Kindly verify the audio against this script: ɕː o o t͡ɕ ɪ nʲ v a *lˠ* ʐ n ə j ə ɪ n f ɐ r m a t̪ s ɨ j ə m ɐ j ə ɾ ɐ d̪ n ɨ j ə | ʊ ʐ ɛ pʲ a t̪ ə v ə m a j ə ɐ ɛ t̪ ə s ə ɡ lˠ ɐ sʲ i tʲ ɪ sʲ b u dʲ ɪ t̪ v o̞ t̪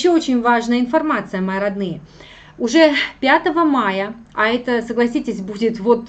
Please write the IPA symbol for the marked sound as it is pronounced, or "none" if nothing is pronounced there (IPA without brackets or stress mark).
none